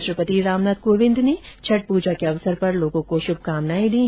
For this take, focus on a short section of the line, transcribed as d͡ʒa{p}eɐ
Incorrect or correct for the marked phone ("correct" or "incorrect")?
incorrect